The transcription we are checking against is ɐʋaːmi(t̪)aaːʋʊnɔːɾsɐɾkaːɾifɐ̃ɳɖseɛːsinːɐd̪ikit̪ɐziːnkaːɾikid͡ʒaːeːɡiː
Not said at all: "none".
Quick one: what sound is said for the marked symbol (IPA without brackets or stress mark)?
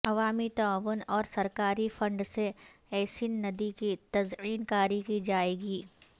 t̪